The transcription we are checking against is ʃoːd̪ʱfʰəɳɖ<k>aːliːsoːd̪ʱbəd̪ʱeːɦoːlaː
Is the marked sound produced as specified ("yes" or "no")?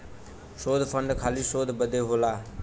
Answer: no